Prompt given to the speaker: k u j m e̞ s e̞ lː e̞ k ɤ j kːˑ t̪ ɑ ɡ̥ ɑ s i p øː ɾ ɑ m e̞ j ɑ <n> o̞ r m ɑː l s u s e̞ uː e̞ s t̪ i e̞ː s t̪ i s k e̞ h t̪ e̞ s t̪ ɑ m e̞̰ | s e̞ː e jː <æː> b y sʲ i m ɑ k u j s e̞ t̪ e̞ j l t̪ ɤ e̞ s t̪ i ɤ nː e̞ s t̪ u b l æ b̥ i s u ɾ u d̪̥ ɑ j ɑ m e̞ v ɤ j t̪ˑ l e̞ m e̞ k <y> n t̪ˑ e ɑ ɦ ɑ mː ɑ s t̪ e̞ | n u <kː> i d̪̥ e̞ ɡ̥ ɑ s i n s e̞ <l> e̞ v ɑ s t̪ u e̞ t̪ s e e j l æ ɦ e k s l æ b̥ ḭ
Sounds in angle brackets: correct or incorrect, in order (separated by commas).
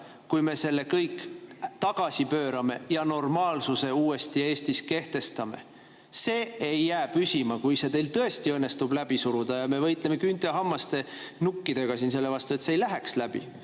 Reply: correct, correct, correct, correct, incorrect